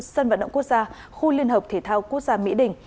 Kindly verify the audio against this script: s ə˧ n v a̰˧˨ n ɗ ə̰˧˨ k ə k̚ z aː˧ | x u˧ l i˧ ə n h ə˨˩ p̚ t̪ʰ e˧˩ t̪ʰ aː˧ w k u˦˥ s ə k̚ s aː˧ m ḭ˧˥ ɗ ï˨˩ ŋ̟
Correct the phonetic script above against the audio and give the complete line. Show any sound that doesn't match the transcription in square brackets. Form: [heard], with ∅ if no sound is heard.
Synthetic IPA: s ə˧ n v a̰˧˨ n ɗ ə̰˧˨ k ə k̚ z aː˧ | x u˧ l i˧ ə n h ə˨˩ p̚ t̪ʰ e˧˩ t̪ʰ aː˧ w k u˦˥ [∅] ə k̚ [z] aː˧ m ḭ˧˥ ɗ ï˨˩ ŋ̟